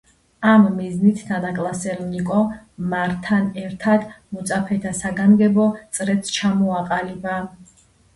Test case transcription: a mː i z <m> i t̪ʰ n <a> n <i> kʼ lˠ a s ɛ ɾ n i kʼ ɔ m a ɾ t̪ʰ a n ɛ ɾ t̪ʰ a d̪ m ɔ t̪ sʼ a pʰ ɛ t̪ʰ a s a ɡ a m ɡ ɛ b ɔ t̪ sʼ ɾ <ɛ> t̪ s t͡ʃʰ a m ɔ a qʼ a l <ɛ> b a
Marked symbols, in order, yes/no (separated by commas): no, yes, no, yes, no